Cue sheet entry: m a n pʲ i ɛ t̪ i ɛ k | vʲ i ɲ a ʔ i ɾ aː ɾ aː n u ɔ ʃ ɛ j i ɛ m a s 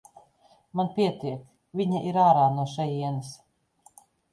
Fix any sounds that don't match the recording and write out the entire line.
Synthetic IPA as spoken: m a n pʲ i ɛ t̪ i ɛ k | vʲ i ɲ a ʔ i ɾ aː ɾ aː n u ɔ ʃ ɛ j i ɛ n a s